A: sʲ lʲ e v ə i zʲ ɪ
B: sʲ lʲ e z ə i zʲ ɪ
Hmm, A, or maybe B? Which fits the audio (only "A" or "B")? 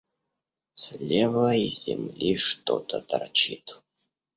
A